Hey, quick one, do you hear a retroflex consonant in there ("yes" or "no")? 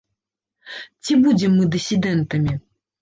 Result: no